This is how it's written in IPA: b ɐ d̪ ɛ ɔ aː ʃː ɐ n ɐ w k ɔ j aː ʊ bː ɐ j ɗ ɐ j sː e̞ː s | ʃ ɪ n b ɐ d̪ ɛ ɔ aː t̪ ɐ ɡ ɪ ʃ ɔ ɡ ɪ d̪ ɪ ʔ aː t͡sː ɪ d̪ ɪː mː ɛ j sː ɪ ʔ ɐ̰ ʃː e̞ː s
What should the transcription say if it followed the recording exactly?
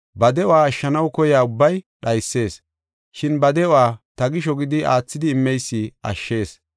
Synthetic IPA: b ɐ d̪ ɛ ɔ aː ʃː ɐ n ɐ w k ɔ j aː ʊ bː ɐ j ɗ ɐ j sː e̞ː s | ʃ ɪ n b ɐ d̪ ɛ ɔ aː t̪ ɐ ɡ ɪ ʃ ɔ ɡ ɪ d̪ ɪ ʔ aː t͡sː ɪ d̪ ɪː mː ɛ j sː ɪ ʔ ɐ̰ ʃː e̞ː s